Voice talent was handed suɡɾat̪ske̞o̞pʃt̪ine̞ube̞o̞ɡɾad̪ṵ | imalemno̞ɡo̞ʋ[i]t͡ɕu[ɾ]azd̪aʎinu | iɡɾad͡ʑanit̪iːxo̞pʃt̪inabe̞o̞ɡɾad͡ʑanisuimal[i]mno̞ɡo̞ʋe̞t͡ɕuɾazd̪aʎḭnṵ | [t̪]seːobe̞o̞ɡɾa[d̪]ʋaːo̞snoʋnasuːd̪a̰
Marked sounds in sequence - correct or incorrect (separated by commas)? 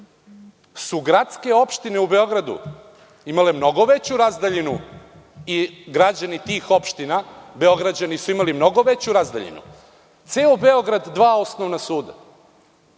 incorrect, correct, correct, correct, incorrect